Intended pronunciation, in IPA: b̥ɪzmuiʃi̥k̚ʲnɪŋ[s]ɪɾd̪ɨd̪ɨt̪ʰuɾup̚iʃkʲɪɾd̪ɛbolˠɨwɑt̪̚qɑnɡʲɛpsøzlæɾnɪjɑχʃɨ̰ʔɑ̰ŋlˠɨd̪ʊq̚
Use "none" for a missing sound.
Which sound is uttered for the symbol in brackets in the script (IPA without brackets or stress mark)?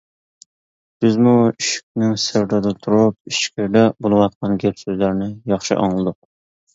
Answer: s